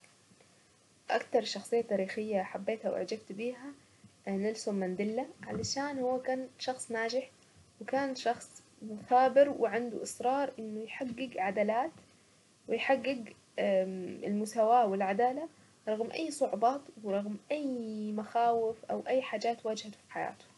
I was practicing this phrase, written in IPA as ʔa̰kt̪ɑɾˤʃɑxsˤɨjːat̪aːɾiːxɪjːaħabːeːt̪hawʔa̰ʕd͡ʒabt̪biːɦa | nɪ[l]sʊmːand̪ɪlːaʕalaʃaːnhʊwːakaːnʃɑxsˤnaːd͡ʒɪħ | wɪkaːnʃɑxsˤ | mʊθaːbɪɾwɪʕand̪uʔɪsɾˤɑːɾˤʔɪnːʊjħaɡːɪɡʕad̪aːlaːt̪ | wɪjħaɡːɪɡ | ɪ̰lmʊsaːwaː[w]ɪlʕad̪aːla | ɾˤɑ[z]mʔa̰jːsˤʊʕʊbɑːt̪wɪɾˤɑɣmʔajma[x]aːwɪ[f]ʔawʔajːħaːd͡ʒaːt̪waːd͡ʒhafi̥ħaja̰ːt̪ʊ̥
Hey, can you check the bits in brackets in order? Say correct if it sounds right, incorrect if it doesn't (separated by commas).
correct, correct, incorrect, correct, correct